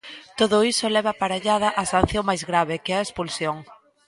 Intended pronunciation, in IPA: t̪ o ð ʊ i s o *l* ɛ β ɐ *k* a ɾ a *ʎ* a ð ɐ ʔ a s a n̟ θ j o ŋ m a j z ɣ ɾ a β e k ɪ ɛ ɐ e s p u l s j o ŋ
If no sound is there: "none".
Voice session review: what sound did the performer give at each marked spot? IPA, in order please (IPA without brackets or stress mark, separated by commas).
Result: l, p, ʎ